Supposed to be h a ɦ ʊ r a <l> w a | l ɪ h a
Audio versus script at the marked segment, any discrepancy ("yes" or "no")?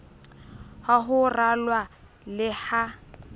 no